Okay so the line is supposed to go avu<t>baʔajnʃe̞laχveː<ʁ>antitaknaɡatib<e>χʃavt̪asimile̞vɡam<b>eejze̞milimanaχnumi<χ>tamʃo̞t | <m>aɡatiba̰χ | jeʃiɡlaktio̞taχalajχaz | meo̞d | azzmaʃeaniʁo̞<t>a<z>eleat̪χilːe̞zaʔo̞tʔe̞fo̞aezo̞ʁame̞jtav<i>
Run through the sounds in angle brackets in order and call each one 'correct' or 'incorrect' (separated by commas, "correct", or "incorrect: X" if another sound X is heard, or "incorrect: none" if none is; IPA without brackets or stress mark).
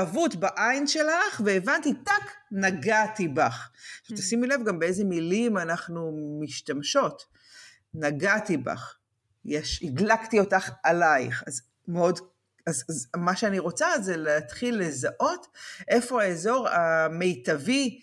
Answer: correct, incorrect: v, incorrect: a, correct, incorrect: ʃ, incorrect: n, incorrect: t͡s, correct, correct